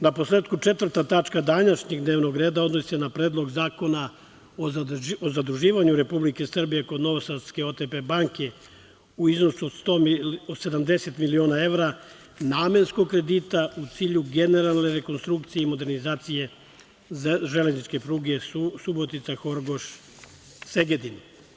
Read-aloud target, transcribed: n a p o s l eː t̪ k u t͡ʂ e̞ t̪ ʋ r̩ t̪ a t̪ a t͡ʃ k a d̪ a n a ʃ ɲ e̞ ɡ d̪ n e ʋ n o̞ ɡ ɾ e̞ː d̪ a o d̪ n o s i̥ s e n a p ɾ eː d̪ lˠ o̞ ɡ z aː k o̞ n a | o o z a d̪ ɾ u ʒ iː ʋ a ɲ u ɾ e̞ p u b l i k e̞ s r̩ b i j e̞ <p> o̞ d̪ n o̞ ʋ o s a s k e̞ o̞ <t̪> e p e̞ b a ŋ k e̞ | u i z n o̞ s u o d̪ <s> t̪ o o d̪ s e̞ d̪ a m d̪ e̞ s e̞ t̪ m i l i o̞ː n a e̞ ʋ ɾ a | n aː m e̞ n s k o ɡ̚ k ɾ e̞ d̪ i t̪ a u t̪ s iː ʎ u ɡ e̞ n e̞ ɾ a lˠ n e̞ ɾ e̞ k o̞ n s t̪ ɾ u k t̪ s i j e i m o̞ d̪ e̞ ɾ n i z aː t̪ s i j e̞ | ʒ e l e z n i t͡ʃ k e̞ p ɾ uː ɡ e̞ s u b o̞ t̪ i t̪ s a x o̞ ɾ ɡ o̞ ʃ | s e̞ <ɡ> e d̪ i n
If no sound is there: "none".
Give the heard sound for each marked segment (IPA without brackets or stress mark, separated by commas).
k, t̪, s, ɡ